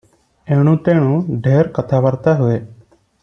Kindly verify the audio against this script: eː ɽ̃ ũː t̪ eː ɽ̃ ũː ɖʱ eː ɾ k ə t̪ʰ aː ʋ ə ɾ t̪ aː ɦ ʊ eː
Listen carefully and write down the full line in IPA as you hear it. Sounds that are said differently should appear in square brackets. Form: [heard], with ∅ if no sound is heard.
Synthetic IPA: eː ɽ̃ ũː t̪ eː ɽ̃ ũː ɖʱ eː ɾ k ə t̪ʰ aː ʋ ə ɾ t̪ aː ɦ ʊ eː